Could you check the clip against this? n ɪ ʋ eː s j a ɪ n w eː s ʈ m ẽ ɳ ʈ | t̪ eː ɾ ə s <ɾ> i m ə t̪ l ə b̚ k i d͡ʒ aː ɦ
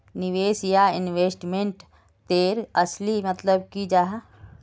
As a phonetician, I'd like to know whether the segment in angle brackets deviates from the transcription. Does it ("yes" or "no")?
yes